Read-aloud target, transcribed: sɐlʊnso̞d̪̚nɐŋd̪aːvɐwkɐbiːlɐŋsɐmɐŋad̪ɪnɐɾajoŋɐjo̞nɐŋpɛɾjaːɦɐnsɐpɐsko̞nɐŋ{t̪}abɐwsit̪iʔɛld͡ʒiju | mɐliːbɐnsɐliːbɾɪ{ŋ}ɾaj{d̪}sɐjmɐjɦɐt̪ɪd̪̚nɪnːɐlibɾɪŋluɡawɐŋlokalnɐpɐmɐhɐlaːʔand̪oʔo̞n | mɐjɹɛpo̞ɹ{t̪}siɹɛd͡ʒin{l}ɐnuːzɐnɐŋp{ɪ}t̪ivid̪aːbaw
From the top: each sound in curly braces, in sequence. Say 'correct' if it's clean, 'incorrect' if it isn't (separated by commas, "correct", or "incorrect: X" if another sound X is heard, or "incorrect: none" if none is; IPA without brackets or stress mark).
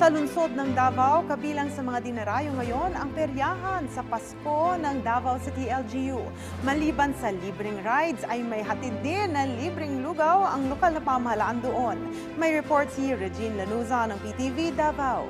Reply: incorrect: d̪, correct, correct, correct, correct, incorrect: i